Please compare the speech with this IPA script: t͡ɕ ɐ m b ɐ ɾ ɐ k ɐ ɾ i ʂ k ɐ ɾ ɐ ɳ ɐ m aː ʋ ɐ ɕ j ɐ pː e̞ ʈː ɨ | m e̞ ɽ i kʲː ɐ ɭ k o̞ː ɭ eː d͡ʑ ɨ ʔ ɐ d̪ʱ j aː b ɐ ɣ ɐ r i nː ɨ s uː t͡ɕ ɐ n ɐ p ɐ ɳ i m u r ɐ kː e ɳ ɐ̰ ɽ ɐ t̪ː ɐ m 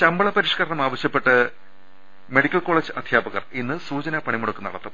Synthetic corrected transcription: t͡ɕ ɐ m b ɐ ɭ ɐ p ɐ ɾ i ʂ k ɐ ɾ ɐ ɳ ɐ m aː ʋ ɐ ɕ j ɐ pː e̞ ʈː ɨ | m e̞ ɽ i kʲː ɐ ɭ k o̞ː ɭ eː d͡ʑ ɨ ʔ ɐ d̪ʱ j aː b ɐ ɣ ɐ r i nː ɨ s uː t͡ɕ ɐ n ɐ p ɐ ɳ i m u ɽ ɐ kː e n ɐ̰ ɽ ɐ t̪ː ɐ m

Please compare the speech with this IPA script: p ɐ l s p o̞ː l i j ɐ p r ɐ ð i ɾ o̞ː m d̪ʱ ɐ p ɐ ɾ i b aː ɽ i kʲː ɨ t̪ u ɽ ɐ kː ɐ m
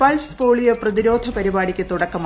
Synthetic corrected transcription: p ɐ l s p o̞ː ɭ i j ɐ p r ɐ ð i ɾ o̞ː d̪ʱ ɐ p ɐ ɾ i b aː ɽ i kʲː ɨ t̪ u ɽ ɐ kː ɐ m

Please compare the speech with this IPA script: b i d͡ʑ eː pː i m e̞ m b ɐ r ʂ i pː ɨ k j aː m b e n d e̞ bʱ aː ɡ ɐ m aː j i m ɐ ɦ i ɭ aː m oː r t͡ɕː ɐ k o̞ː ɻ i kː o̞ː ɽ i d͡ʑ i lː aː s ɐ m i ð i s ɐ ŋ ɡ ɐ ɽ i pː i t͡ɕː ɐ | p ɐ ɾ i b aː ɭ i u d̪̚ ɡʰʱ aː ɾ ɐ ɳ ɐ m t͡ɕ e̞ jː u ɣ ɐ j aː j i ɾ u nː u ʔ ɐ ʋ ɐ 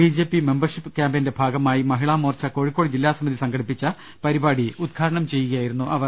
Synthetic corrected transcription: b i d͡ʑ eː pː i m e̞ m b ɐ r ʂ i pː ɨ k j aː m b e n d e̞ bʱ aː ɡ ɐ m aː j i m ɐ ɦ i ɭ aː m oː r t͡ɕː ɐ k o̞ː ɻ i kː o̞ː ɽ i d͡ʑ i lː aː s ɐ m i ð i s ɐ ŋ ɡ ɐ ɽ i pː i t͡ɕː ɐ | p ɐ ɾ i b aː ɽ i u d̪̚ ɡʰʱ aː ɾ ɐ ɳ ɐ m t͡ɕ e̞ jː u ɣ ɐ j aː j i ɾ u nː u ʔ ɐ ʋ ɐ

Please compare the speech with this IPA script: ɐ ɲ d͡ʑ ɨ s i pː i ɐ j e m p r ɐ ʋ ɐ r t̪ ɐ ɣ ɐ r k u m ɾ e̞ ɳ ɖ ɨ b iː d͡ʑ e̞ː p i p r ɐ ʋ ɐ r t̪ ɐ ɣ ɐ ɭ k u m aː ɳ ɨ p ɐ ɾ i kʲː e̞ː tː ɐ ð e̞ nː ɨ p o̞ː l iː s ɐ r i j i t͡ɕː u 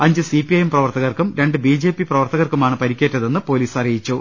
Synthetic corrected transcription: ɐ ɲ d͡ʑ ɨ s i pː i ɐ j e m p r ɐ ʋ ɐ r t̪ ɐ ɣ ɐ r k u m ɾ e̞ ɳ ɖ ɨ b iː d͡ʑ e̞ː p i p r ɐ ʋ ɐ r t̪ ɐ ɣ ɐ r k u m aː ɳ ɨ p ɐ ɾ i kʲː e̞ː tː ɐ ð e̞ nː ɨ p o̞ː l iː s ɐ r i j i t͡ɕː u

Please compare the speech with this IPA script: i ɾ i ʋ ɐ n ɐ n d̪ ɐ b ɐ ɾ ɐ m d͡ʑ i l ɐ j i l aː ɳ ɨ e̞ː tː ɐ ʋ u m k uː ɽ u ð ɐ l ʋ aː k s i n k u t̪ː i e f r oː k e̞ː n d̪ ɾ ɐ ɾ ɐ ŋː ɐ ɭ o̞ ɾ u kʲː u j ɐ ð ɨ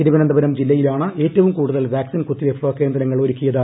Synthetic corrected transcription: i ɾ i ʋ ɐ n ɐ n d̪ ɐ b ɐ ɾ ɐ m d͡ʑ i lː ɐ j i l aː ɳ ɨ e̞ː tː ɐ ʋ u m k uː ɽ u ð ɐ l ʋ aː k s i n k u t̪ː i e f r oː k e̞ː n d̪ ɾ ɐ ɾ ɐ ŋː ɐ ɭ o̞ ɾ u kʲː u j ɐ ð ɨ

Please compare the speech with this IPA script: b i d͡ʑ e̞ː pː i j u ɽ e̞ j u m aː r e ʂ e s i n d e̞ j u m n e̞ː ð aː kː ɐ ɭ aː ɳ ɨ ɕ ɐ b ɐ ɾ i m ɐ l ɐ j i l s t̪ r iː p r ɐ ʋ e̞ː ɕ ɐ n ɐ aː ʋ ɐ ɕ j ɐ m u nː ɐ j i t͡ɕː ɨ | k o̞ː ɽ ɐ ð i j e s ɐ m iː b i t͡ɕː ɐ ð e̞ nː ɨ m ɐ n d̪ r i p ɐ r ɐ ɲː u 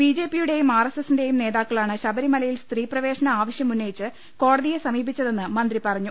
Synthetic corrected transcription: b i d͡ʑ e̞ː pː i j u ɽ e̞ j u m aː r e s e s i n d e̞ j u m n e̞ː ð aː kː ɐ ɭ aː ɳ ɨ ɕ ɐ b ɐ ɾ i m ɐ l ɐ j i l s t̪ r iː p r ɐ ʋ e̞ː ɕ ɐ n ɐ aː ʋ ɐ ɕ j ɐ m u nː ɐ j i t͡ɕː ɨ | k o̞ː ɽ ɐ ð i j e s ɐ m iː b i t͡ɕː ɐ ð e̞ nː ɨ m ɐ n d̪ r i p ɐ r ɐ ɲː u

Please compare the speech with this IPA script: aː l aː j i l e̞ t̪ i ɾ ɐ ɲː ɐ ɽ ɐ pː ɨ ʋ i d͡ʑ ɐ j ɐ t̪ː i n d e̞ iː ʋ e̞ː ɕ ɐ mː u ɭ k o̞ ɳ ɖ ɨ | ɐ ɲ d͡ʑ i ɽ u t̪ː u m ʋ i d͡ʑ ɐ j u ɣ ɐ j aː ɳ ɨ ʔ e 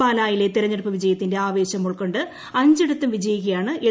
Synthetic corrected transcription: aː l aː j i l e̞ t̪ i ɾ ɐ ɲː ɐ ɽ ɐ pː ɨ ʋ i d͡ʑ ɐ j ɐ t̪ː i n d e̞ aː ʋ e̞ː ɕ ɐ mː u ɭ k o̞ ɳ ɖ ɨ | ɐ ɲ d͡ʑ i ɽ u t̪ː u m ʋ i d͡ʑ ɐ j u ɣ ɐ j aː ɳ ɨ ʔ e

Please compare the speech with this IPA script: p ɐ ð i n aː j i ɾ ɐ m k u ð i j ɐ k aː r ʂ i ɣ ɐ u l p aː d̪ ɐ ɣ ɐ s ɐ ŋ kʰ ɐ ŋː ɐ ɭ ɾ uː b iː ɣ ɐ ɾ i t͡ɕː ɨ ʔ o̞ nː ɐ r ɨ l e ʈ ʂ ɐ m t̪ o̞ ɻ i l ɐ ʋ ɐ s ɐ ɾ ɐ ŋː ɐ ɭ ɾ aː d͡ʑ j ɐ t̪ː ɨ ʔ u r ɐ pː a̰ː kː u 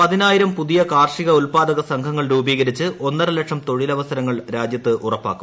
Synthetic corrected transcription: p ɐ ð i n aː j i ɾ ɐ m p u ð i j ɐ k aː r ʂ i ɣ ɐ u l p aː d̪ ɐ ɣ ɐ s ɐ ŋ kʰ ɐ ŋː ɐ ɭ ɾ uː b iː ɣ ɐ ɾ i t͡ɕː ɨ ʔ o̞ nː ɐ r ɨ l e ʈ ʂ ɐ m t̪ o̞ ɻ i l ɐ ʋ ɐ s ɐ ɾ ɐ ŋː ɐ ɭ ɾ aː d͡ʑ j ɐ t̪ː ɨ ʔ u r ɐ pː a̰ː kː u

